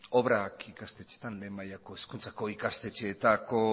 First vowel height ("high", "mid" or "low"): mid